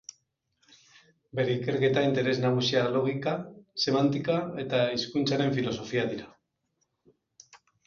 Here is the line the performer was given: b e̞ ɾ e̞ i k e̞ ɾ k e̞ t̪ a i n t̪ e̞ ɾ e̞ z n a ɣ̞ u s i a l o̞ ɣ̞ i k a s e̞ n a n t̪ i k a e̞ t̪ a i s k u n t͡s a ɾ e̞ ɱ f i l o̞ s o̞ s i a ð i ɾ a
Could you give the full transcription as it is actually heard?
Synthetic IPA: b e̞ ɾ e̞ i k e̞ ɾ k e̞ t̪ a i n t̪ e̞ ɾ e̞ z n a ɣ̞ u s i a l o̞ ɣ̞ i k a s e̞ m a n t̪ i k a e̞ t̪ a i s k u n t͡s a ɾ e̞ ɱ f i l o̞ s o̞ f i a ð i ɾ a